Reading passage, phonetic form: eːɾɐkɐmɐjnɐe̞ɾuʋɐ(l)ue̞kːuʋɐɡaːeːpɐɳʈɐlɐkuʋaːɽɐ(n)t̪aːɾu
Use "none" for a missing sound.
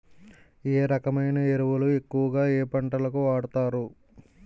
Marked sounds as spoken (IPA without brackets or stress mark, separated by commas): l, none